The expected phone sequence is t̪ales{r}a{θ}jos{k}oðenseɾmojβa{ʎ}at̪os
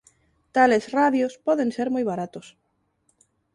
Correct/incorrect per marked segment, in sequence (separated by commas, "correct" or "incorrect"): correct, incorrect, incorrect, incorrect